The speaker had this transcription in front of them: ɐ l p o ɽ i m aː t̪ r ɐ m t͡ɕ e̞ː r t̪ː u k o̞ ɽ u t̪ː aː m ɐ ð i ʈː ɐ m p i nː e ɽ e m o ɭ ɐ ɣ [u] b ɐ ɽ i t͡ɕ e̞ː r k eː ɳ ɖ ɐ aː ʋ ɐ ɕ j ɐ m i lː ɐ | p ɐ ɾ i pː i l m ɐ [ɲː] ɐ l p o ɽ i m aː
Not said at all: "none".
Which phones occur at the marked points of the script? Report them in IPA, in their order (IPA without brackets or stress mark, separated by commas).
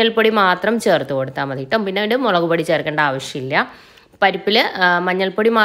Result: u, ɲː